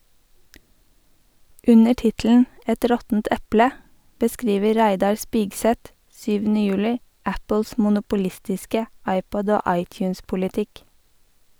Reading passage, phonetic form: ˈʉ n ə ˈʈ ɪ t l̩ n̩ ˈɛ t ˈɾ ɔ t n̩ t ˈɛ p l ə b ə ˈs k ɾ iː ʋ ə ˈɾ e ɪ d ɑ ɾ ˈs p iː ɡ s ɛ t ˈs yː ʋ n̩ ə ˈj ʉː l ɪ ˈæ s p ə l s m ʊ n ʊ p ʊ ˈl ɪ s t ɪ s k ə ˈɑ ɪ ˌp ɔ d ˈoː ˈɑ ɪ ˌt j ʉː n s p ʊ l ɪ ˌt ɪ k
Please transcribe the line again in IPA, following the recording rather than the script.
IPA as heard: ˈʉ n ə ˈʈ ɪ t l̩ n̩ ˈɛ t ˈɾ ɔ t n̩ t ˈɛ p l ə b ə ˈs k ɾ iː ʋ ə ˈɾ æ ɪ d ɑ ɾ ˈs p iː ɡ s ɛ t ˈs yː ʋ n̩ ə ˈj ʉː l ɪ ˈæ p ə l s m ʊ n ʊ p ʊ ˈl ɪ s t ɪ s k ə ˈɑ ɪ ˌp ɔ d ˈoː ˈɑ ɪ ˌt j ʉː n s p ʊ l ɪ ˌt ɪ k